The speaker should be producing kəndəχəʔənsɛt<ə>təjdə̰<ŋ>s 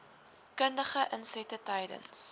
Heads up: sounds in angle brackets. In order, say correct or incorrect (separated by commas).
correct, incorrect